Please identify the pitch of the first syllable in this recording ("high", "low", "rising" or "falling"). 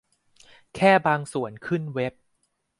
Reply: falling